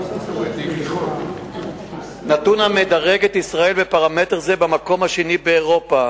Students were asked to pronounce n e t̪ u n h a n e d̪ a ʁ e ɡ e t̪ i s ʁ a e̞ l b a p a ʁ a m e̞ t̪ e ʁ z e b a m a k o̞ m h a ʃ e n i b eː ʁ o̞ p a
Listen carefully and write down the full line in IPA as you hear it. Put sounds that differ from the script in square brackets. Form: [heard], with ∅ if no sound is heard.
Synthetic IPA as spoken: n [a] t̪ u n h a [m] e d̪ a ʁ e ɡ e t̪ i s ʁ a e̞ l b [e] p a ʁ a m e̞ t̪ e ʁ z e b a m a k o̞ m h a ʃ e n i b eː ʁ o̞ p a